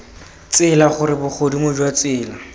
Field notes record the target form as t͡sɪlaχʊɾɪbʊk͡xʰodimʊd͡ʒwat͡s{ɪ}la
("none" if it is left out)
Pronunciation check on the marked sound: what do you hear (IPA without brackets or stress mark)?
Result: ɪː